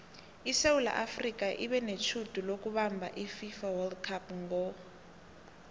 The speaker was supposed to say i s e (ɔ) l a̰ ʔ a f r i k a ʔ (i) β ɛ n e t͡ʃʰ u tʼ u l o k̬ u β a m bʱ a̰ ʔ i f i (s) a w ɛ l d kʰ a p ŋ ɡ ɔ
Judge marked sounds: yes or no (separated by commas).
no, yes, no